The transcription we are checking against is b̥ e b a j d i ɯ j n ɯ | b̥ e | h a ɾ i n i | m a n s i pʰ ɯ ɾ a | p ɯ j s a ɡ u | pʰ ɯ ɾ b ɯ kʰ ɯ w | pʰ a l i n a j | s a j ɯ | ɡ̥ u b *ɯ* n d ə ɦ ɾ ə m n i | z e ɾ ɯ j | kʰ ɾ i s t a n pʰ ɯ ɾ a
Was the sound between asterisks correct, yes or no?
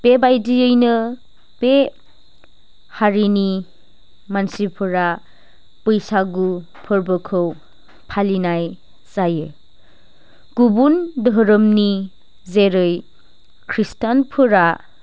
no